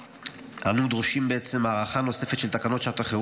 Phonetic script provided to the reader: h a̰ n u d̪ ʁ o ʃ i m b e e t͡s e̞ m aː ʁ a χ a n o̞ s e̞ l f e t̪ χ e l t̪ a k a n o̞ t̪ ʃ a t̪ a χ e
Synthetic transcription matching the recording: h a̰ n u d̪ ʁ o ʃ i m b e e t͡s e̞ m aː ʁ a χ a n o̞ s e̞ f e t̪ ʃ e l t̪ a k a n o̞ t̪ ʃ a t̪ a χ e